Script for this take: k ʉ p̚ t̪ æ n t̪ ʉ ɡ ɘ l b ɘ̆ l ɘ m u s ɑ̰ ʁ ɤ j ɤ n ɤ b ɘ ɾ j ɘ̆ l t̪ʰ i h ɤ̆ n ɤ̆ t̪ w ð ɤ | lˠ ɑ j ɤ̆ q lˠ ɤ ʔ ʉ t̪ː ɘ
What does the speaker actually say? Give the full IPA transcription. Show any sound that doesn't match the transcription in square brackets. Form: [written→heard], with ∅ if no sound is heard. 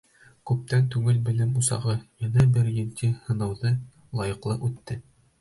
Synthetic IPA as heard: k ʉ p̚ t̪ æ n t̪ ʉ ɡ ɘ l b ɘ̆ l ɘ m u s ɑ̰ ʁ ɤ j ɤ n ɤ b ɘ ɾ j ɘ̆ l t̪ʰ i h ɤ̆ n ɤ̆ [t̪→∅] w ð ɤ | lˠ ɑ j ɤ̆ q lˠ ɤ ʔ ʉ t̪ː ɘ